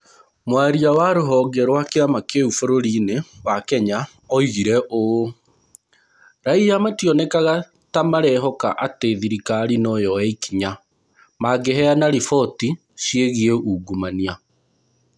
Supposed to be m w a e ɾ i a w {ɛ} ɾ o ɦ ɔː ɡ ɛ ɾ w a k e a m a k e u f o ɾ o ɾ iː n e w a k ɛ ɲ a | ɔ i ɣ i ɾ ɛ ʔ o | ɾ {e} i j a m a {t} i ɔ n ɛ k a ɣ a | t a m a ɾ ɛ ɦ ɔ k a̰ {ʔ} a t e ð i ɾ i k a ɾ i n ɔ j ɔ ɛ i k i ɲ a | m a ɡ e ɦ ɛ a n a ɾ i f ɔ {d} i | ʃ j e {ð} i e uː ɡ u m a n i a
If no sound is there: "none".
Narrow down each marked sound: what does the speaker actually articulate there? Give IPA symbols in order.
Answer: a, a, t, ʔ, t, ɣ

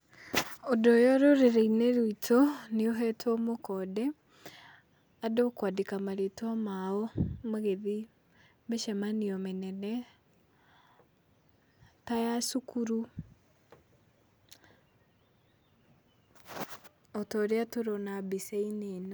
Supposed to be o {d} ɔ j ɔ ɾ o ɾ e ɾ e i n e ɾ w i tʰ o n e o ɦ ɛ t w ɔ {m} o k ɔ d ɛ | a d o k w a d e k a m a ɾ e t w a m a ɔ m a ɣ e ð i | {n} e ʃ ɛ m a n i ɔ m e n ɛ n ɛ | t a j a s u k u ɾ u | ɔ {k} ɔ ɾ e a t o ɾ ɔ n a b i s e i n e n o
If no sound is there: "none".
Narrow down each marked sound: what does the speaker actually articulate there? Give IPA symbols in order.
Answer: d, m, m, t

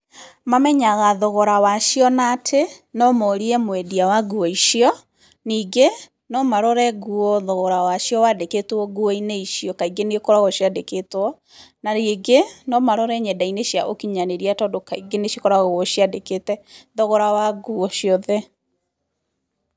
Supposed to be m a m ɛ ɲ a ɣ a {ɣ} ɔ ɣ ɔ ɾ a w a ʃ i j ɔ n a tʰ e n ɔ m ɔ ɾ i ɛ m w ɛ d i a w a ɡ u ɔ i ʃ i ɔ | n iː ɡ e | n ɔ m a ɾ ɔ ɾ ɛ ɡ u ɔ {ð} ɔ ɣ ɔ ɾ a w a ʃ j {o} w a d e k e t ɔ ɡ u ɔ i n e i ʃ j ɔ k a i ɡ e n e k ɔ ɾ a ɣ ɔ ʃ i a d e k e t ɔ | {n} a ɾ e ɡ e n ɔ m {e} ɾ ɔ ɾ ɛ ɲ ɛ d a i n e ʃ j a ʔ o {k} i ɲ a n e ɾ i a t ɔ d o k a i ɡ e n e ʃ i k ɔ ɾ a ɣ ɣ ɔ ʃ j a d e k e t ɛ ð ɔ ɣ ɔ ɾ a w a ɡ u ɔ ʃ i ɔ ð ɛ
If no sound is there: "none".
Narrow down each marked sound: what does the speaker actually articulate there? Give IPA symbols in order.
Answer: ð, ð, ɔ, n, a, k

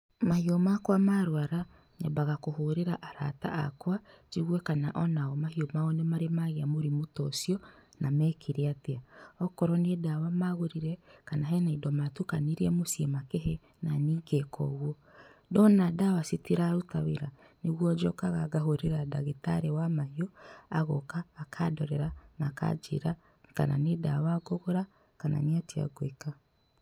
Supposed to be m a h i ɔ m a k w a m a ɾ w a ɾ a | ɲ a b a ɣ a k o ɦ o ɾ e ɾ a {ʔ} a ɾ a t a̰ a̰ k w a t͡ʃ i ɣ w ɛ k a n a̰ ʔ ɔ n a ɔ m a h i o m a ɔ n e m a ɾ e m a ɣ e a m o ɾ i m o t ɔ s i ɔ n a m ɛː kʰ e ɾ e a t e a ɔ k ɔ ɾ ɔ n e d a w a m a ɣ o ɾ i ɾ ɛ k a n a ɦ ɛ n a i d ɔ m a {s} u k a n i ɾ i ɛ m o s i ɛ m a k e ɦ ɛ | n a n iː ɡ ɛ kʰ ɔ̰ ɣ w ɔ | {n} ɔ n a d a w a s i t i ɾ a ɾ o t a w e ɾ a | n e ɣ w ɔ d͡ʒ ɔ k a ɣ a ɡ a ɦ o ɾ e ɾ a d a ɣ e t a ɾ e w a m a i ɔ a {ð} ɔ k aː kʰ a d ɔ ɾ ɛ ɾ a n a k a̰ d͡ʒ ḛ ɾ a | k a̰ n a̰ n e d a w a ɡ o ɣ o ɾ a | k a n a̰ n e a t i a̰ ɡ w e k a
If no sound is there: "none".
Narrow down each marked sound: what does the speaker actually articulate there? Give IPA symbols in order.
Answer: ʔ, t, d, ɣ

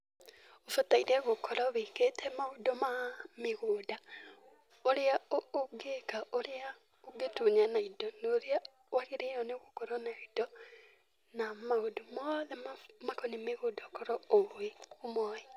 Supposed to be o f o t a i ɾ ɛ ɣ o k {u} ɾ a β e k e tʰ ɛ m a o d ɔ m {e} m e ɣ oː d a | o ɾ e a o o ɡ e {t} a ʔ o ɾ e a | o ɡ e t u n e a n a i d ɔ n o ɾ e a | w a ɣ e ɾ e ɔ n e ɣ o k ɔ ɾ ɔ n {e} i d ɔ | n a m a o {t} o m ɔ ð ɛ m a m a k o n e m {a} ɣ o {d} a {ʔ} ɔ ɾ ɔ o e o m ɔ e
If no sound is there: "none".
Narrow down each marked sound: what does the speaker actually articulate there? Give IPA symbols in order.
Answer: ɔ, a, k, a, d, e, d, k

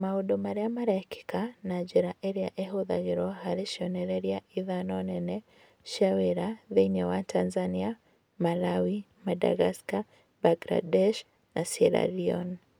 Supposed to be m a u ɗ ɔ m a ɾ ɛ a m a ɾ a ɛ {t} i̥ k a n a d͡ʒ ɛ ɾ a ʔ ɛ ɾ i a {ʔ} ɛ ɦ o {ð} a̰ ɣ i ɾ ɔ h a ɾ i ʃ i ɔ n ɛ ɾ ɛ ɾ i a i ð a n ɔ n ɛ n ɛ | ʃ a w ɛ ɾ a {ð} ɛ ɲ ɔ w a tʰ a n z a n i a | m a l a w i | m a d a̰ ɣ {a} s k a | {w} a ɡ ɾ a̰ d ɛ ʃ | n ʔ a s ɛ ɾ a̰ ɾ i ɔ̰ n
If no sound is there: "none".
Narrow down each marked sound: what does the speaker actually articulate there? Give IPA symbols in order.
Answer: k, ʔ, ð, ð, a, b

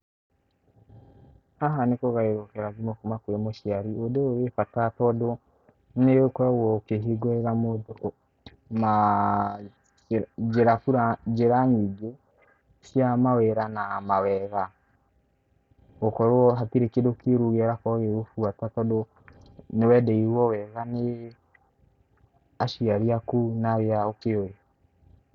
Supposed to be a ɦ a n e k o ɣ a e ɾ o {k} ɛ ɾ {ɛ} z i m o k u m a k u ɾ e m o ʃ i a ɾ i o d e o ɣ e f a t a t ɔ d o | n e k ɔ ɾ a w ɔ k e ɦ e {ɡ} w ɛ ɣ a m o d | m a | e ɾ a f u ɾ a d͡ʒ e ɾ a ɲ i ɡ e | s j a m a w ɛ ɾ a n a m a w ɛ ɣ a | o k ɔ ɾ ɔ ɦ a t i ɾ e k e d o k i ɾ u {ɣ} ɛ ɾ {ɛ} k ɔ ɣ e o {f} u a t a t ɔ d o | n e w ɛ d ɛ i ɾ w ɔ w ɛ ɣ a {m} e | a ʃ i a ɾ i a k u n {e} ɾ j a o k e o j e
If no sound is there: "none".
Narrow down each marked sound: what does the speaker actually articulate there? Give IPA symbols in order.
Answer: k, a, ɡ, ɣ, a, f, n, a

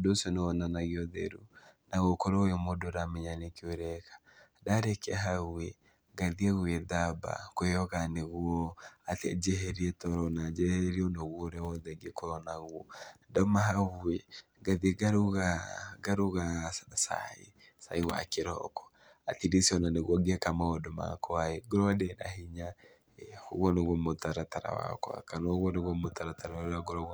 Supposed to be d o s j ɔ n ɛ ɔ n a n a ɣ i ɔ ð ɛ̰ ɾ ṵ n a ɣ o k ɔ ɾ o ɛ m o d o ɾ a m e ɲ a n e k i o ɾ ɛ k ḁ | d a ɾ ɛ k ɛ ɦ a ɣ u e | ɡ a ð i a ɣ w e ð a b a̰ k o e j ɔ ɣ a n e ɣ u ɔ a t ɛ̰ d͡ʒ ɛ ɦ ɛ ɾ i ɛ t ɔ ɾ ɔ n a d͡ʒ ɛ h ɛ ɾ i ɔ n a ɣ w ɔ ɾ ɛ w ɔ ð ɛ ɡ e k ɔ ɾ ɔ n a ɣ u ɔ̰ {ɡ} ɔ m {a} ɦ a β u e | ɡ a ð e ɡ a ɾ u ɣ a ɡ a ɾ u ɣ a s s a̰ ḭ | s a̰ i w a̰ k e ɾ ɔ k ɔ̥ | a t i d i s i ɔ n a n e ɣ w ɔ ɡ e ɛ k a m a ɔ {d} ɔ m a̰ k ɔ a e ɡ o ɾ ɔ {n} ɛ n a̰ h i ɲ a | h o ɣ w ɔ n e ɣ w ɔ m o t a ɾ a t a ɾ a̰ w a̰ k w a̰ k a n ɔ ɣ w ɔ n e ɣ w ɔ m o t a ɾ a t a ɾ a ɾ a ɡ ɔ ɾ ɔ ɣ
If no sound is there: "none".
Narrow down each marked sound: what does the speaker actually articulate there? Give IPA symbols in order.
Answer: d, a, d, d

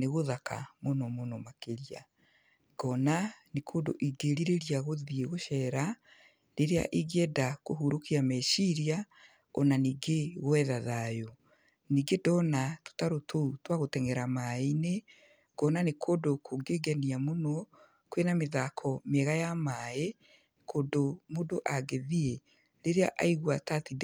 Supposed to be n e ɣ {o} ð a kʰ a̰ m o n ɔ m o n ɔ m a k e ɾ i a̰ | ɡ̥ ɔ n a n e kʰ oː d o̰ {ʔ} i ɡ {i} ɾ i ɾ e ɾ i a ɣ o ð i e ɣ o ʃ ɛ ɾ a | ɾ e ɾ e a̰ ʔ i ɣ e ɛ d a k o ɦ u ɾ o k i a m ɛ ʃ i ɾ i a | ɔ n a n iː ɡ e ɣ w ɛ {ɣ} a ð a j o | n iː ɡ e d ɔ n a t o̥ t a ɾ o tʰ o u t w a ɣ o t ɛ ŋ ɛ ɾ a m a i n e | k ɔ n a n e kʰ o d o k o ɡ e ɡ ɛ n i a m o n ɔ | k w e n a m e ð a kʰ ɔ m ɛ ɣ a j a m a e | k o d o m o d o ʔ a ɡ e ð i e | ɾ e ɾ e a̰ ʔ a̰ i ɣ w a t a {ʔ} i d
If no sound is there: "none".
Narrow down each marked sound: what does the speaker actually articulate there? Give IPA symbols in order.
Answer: o, ʔ, e, ð, t

